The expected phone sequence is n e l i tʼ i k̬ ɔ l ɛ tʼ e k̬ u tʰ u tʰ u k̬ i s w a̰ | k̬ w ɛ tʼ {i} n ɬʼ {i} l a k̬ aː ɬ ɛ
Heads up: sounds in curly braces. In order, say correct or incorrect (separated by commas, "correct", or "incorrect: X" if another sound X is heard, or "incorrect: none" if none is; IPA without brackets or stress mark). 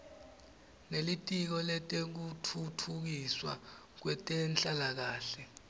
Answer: incorrect: ɛ, incorrect: a